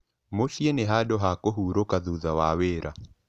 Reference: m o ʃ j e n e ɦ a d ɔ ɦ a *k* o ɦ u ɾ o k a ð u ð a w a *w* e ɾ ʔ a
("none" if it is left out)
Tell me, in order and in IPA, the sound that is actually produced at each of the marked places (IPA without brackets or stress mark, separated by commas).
k, w